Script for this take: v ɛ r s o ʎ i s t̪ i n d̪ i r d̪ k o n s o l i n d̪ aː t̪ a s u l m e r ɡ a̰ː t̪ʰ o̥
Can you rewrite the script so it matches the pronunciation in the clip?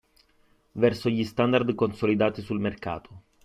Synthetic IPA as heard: v ɛ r s o ʎ i s t̪ a n d̪ a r d̪ k o n s o l i d̪ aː t̪ i s u l m e r k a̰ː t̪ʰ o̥